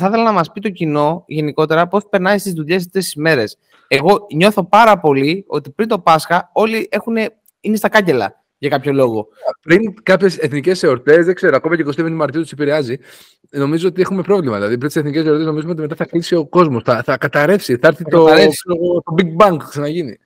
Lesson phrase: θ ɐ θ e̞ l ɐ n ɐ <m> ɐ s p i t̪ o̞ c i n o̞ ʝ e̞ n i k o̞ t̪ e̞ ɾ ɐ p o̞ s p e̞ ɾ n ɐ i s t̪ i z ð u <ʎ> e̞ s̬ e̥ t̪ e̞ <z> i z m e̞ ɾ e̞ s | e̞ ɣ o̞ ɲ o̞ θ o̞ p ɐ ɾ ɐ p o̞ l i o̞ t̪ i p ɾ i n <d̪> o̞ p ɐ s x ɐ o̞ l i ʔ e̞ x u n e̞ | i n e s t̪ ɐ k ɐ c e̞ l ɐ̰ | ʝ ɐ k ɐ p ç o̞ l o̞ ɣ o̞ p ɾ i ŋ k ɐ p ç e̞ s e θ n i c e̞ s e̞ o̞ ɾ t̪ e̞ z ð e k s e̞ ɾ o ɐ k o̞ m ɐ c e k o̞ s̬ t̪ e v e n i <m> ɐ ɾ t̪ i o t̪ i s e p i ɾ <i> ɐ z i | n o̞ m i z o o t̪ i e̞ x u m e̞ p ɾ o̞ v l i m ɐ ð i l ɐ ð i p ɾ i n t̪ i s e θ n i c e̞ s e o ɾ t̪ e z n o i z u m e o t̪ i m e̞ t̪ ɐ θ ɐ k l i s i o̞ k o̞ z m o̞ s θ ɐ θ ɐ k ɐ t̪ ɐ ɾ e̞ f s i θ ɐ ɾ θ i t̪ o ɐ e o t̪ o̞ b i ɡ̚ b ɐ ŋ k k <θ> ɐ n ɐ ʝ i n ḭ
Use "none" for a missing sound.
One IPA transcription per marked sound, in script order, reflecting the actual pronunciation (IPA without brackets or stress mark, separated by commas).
m, ʎ, s, t̪, m, e, s